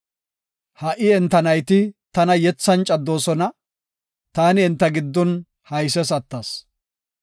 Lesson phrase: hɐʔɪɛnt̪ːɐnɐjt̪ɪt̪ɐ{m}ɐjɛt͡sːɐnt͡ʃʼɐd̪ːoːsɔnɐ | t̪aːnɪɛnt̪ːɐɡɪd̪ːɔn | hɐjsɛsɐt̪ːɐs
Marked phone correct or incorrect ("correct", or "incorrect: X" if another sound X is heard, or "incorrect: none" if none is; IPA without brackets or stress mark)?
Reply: incorrect: n